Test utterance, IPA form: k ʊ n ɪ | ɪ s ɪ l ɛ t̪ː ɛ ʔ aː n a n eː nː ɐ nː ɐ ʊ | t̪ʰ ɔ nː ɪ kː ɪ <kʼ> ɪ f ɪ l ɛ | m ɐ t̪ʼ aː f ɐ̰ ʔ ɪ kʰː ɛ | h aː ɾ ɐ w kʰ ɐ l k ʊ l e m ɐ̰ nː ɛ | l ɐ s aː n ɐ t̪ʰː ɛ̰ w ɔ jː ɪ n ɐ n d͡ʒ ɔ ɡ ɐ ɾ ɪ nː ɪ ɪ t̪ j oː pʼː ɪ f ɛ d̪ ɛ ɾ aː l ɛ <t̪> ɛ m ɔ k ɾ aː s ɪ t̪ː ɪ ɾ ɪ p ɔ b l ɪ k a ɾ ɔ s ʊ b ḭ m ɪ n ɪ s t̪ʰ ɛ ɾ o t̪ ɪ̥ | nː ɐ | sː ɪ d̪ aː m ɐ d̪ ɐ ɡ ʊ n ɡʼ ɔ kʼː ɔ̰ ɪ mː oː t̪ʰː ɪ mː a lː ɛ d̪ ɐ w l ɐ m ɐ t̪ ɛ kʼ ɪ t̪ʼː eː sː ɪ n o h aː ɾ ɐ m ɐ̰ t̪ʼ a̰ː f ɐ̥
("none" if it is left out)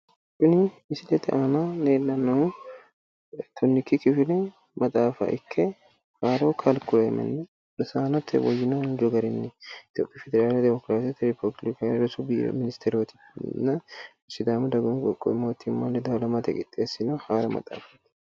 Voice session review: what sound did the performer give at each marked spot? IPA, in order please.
k, d̪

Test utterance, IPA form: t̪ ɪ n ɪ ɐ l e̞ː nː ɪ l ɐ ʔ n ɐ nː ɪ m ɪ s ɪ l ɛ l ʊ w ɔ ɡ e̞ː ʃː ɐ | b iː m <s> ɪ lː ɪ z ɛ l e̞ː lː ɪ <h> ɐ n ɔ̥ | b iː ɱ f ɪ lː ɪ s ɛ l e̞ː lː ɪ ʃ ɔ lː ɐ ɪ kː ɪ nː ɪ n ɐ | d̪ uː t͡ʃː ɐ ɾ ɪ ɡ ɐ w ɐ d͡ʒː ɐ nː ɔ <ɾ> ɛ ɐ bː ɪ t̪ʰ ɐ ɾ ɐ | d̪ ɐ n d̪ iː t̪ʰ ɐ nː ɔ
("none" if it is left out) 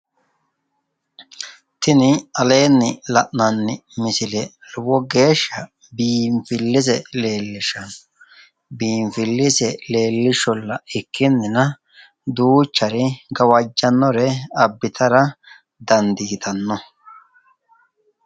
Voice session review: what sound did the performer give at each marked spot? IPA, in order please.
f, ʃ, ɾ

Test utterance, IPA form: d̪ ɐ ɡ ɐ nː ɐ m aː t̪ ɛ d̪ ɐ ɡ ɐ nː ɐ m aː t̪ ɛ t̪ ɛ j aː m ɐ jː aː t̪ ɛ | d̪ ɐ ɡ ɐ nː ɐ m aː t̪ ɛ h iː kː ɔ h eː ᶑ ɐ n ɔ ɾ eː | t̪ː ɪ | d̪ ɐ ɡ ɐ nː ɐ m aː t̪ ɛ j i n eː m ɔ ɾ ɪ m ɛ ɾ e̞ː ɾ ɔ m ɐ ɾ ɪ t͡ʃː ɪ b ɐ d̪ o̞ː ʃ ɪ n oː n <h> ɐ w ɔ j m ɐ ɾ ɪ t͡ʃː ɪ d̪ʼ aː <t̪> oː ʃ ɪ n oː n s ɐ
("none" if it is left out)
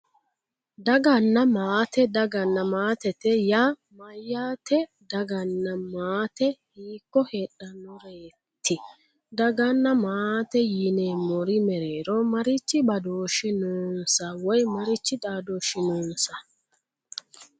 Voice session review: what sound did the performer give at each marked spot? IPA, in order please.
s, d̪

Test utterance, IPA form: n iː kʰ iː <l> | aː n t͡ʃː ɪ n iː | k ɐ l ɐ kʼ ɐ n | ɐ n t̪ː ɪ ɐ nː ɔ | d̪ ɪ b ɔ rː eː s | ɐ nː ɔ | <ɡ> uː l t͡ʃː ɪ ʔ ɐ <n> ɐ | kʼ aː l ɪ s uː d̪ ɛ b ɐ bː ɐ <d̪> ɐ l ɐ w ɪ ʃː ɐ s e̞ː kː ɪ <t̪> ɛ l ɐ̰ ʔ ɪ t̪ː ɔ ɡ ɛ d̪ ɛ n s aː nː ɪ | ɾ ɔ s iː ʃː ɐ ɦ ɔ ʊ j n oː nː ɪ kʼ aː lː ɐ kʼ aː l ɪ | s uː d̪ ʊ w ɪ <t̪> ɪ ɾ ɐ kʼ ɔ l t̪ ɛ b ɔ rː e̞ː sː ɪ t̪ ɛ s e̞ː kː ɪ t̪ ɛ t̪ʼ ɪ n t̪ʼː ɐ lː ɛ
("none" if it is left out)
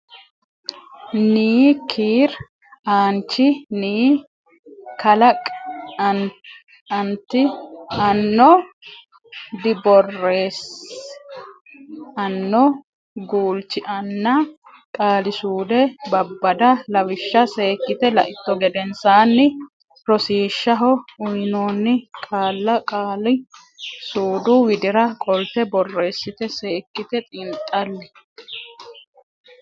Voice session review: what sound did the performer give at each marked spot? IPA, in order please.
ɾ, ɡ, nː, d̪, t̪, d̪

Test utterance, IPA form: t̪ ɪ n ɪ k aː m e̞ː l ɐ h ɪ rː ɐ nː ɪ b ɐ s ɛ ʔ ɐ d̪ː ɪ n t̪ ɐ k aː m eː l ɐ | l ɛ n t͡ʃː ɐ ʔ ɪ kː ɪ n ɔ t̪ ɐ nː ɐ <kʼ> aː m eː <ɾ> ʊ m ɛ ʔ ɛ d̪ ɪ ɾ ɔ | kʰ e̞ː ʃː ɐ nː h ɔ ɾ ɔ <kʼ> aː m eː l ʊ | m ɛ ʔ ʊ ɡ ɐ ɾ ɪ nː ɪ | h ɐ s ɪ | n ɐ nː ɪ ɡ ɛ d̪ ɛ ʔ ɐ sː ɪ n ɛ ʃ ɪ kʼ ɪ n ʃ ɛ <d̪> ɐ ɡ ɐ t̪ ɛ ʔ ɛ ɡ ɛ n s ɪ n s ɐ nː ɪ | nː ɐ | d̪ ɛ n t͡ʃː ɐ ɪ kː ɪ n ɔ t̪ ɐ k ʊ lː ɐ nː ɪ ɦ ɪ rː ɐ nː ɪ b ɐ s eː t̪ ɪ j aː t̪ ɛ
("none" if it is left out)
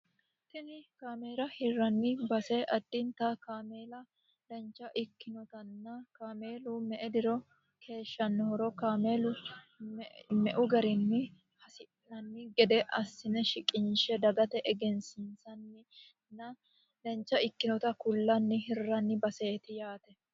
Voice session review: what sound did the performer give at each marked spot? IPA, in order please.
k, l, k, d̪

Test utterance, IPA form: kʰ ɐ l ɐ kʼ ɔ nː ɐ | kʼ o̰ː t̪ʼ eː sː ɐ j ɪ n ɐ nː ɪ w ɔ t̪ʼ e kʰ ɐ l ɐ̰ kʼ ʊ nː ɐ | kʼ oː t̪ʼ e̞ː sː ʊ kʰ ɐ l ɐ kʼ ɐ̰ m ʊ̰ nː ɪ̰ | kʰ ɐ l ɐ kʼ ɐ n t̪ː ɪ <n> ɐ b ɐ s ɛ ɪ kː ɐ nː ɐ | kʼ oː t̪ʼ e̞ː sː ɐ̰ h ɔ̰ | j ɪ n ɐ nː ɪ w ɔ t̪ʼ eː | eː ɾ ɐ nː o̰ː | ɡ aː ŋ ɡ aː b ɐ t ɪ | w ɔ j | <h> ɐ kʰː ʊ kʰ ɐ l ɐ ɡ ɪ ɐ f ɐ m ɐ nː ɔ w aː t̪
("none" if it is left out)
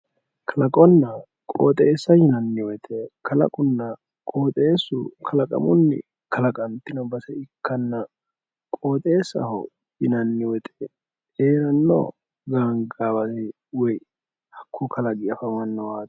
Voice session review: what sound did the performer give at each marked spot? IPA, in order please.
n, h

